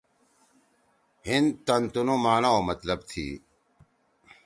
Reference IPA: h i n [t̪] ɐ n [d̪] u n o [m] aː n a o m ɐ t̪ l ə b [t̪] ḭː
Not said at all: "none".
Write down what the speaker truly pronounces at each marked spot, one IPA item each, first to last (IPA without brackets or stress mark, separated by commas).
t̪, t̪, m, t̪ʰ